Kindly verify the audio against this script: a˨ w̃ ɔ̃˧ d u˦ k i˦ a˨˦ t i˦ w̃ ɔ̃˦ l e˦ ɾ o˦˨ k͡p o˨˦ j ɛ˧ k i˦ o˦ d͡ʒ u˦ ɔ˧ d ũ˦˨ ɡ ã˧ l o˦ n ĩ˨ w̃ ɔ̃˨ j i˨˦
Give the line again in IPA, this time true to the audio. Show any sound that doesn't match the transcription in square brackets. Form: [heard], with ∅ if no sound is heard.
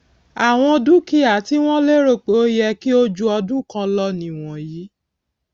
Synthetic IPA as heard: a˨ w̃ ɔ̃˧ d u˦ k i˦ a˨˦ t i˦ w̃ ɔ̃˦ l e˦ ɾ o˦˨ k͡p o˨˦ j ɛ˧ k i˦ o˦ d͡ʒ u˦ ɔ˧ d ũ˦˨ [k] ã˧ l [ɔ˦] n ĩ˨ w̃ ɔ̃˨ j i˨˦